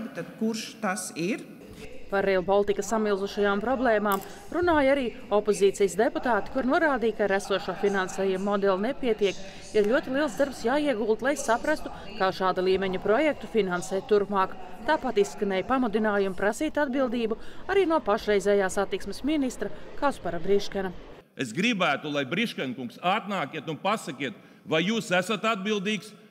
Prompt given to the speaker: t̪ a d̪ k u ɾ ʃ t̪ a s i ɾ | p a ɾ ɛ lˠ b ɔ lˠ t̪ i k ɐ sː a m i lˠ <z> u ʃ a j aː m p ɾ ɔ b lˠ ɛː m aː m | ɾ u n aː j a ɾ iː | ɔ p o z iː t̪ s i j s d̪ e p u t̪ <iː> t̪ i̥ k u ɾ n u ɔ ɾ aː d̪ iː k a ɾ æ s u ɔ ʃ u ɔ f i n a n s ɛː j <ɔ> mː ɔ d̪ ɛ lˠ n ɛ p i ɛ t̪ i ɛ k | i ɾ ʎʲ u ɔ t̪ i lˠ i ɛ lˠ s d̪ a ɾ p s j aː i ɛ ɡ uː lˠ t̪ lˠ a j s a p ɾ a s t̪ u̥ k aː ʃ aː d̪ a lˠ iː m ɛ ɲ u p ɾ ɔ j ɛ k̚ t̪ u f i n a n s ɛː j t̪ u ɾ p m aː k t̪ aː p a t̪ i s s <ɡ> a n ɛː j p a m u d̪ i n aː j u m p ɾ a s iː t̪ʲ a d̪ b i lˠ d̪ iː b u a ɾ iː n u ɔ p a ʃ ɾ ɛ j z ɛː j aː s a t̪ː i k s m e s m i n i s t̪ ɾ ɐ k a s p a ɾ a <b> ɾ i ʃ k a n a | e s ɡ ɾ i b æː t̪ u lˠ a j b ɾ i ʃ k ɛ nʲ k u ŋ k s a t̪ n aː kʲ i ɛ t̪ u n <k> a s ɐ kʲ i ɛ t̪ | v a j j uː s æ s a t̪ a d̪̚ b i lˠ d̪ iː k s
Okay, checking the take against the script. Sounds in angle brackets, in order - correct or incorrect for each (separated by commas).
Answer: correct, incorrect, incorrect, incorrect, correct, incorrect